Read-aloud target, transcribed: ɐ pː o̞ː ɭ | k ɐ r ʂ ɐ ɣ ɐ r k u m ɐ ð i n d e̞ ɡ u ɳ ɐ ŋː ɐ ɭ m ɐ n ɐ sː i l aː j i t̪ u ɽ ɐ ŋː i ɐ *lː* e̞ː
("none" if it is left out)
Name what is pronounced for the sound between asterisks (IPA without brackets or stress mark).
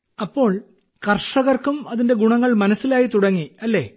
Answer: lː